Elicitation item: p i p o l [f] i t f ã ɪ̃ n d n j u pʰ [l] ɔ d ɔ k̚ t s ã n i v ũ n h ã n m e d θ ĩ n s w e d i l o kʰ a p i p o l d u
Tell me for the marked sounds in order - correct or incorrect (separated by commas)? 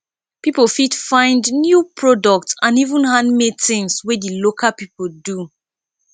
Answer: correct, incorrect